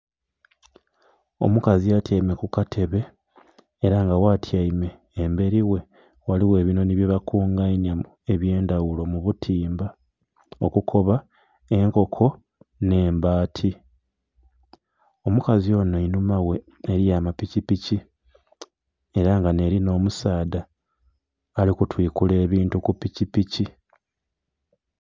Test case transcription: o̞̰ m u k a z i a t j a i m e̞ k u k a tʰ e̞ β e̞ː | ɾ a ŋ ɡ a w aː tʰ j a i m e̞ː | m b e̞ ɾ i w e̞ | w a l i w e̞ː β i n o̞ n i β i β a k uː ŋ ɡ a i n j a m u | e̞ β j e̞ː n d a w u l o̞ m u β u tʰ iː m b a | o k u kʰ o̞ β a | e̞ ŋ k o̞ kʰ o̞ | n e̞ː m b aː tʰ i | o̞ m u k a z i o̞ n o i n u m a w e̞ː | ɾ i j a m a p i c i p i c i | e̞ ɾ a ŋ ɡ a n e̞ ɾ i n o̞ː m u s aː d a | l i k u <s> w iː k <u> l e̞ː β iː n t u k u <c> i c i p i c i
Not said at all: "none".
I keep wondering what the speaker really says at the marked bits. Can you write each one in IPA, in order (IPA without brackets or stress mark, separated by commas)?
t, u, p